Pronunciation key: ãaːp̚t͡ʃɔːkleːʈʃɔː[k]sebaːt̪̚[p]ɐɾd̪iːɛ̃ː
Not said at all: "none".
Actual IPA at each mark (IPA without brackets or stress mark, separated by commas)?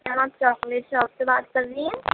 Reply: p, k